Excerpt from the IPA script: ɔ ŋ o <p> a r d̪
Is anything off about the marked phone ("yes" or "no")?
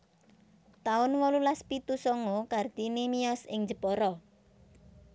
yes